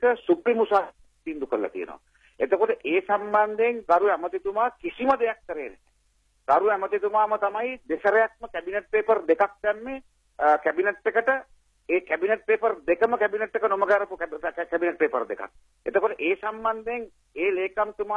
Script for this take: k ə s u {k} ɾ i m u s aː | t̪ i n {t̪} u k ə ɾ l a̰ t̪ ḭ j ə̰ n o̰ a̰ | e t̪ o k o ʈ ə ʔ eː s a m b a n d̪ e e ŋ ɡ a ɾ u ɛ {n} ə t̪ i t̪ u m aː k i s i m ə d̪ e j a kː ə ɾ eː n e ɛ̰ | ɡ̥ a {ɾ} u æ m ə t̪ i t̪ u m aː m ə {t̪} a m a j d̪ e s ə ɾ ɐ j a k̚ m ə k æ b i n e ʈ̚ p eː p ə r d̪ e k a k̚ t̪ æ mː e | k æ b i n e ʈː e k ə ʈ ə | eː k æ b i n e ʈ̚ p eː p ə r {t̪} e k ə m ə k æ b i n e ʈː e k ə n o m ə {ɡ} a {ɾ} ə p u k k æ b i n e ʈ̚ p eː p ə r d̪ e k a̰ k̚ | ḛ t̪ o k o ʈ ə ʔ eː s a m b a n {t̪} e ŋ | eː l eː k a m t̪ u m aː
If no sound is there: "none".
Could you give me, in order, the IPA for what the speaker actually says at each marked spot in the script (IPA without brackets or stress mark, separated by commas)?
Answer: p, d̪, m, ɾ, t̪, d̪, ɡ, ɾ, d̪